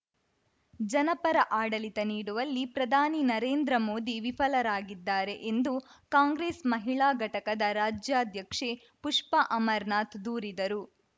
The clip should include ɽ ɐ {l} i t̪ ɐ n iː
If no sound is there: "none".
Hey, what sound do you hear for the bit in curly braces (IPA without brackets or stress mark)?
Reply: l